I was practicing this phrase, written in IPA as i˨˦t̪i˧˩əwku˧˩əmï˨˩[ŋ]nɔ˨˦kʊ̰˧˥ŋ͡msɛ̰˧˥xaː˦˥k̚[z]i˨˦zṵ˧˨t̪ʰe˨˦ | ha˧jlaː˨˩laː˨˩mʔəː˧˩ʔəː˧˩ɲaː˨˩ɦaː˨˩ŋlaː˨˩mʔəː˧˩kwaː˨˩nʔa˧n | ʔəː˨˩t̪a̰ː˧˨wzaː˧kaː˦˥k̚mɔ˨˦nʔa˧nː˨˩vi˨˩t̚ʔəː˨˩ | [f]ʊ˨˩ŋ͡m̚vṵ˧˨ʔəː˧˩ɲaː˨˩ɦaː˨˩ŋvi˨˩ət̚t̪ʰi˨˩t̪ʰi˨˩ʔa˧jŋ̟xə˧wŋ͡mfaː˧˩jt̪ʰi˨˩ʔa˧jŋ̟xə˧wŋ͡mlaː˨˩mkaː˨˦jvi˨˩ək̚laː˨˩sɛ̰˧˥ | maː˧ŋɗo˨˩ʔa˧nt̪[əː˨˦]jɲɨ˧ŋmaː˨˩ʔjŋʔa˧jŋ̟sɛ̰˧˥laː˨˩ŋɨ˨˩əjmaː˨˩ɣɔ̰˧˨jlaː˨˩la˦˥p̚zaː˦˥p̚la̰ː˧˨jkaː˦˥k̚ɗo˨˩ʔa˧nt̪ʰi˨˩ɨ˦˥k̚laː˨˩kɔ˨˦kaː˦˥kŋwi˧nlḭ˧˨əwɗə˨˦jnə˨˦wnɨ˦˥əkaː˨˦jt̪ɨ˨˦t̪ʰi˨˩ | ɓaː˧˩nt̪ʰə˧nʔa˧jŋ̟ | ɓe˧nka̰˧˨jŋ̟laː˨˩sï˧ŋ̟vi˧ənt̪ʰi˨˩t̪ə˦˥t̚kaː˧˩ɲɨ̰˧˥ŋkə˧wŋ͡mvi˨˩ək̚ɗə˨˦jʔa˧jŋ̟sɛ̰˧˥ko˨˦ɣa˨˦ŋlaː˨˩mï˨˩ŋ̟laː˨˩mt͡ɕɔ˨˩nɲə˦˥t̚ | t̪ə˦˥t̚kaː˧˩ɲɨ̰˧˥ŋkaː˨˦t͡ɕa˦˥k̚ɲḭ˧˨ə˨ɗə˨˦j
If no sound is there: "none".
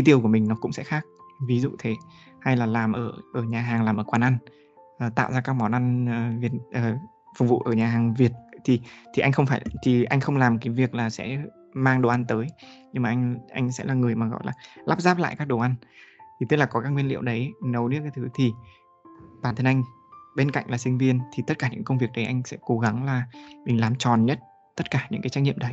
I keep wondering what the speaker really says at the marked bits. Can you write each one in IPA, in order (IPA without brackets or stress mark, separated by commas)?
ŋ, v, f, əː˨˦